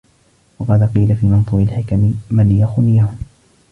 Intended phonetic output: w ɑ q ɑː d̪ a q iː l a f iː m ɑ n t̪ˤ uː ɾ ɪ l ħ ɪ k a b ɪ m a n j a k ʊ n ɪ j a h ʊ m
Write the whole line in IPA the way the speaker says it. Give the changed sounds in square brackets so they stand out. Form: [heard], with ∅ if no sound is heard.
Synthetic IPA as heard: w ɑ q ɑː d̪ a q iː l a f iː m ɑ n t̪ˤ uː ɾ ɪ l ħ ɪ k a [m] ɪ m a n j a [x] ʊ n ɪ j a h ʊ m